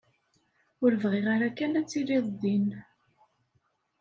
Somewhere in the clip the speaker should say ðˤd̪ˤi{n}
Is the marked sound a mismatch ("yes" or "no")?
no